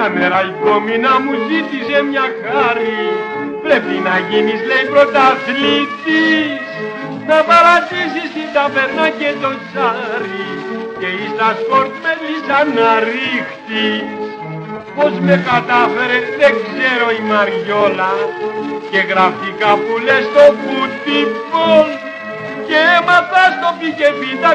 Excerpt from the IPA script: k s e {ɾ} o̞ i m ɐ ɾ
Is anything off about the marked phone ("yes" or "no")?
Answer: no